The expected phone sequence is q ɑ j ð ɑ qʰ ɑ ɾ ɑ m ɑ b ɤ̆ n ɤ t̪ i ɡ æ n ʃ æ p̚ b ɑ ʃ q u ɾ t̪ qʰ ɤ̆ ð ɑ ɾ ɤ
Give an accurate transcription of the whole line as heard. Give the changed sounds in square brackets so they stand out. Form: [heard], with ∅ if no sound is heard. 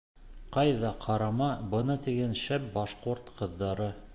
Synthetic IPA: q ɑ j ð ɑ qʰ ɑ ɾ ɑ m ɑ b ɤ̆ n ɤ t̪ i ɡ æ n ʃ æ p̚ b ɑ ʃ q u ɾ t̪ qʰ ɤ̆ [ðː] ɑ ɾ ɤ